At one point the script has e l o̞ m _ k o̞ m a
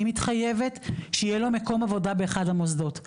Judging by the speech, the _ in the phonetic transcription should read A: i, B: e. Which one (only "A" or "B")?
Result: B